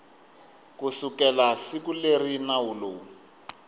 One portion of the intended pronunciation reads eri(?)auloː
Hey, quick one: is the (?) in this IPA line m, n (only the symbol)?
n